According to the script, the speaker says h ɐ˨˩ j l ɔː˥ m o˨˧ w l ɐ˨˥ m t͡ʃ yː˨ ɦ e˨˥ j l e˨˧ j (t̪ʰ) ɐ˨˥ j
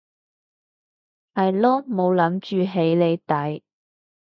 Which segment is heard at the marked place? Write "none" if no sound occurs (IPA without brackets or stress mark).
t̪